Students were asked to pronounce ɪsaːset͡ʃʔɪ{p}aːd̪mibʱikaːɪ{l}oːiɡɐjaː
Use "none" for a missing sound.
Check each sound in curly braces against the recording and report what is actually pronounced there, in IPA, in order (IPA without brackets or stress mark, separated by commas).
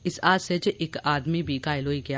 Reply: k, l